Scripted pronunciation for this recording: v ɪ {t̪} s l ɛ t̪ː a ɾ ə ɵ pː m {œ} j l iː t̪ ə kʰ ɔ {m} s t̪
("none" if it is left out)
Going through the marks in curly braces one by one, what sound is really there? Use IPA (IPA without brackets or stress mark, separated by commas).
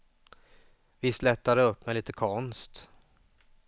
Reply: none, ɛ, n